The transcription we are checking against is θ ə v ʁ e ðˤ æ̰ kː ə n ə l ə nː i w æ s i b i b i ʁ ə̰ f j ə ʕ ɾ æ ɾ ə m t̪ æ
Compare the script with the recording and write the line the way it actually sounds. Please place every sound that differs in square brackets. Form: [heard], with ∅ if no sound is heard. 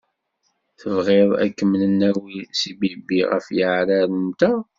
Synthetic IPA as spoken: θ ə v ʁ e ðˤ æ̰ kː ə [m] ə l ə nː [æ] w [i] s i b i b i ʁ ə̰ f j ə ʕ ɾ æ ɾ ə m t̪ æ